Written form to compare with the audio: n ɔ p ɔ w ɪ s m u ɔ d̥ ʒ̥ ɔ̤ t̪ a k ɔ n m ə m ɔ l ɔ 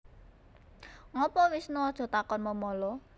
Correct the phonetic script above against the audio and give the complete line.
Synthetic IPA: ŋ ɔ p ɔ w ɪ s n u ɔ d̥ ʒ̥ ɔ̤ t̪ a k ɔ n m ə m ɔ l ɔ